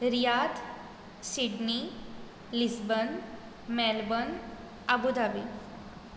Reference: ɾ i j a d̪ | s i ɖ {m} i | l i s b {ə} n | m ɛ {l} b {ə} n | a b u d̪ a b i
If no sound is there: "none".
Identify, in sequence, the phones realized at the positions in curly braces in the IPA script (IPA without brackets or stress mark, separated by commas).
n, ə, l, ə